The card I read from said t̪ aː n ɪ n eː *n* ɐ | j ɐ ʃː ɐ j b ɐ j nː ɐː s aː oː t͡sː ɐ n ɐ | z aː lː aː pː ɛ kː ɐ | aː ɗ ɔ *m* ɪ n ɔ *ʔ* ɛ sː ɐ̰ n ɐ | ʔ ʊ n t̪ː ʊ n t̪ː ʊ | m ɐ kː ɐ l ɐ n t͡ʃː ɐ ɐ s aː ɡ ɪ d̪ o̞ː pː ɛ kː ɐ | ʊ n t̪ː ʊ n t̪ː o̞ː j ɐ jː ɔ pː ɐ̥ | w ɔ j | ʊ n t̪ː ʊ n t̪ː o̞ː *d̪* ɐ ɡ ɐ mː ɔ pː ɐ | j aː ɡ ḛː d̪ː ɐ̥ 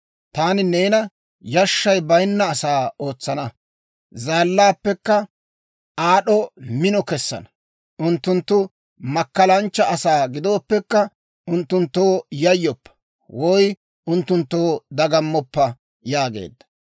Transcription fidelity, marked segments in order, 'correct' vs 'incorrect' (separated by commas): correct, correct, incorrect, correct